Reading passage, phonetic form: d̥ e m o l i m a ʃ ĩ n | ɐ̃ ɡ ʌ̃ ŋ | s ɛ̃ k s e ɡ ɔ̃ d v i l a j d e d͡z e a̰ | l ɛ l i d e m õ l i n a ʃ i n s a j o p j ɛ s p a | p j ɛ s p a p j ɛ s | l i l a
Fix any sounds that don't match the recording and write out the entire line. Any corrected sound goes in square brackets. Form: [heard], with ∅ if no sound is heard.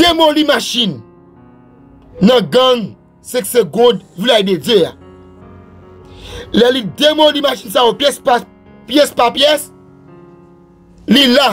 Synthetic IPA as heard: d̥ e m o l i m a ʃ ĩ n | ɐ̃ ɡ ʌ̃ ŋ | s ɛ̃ k s e ɡ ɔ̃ d v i l a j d e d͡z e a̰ | l ɛ l i d e m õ l i [m] a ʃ i n s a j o p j ɛ s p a | p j ɛ s p a p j ɛ s | l i l a

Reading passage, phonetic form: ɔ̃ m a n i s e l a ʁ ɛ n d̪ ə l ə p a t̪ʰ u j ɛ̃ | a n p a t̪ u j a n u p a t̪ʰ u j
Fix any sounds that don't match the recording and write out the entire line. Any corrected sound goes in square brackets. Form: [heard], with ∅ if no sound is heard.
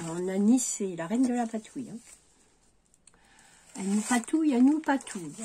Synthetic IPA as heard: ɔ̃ [n] a n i s e l a ʁ ɛ n d̪ ə l [a] p a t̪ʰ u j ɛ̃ | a n p a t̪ u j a n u p a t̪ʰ u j

